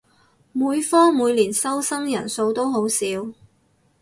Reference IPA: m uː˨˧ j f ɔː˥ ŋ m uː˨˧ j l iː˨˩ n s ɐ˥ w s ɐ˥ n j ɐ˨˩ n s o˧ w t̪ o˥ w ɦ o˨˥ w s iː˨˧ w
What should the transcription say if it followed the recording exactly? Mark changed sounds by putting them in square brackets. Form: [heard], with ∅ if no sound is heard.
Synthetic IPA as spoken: m uː˨˧ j f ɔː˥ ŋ m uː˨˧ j l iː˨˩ n s ɐ˥ w s ɐ˥ [ŋ] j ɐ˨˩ n s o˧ w t̪ o˥ w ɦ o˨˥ w s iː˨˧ w